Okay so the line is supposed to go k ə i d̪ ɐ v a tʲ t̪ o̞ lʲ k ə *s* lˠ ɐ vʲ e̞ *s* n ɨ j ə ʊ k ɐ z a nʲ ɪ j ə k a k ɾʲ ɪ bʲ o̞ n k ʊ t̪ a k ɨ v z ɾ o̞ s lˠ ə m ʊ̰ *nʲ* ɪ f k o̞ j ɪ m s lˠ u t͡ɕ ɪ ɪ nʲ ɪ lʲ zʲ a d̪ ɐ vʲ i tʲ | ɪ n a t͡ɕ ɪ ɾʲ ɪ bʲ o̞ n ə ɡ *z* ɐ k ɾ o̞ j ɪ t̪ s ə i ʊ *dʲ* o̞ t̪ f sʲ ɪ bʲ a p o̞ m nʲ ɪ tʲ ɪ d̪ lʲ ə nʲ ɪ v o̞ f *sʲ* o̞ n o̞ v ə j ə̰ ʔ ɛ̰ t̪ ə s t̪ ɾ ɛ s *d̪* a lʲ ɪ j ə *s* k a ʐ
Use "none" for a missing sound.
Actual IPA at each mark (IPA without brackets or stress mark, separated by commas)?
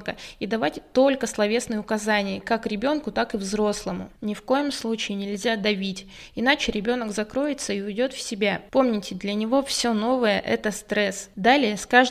s, s, nʲ, z, dʲ, sʲ, d̪, s